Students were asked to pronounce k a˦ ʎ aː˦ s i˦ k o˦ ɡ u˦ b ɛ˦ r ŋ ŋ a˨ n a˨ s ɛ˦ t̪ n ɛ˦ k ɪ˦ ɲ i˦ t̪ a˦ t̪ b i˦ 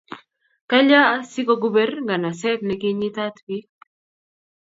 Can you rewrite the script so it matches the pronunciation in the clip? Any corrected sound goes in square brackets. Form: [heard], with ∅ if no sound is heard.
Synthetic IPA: k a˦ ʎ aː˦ s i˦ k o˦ ɡ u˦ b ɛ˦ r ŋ [ɡ] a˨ n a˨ s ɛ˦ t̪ n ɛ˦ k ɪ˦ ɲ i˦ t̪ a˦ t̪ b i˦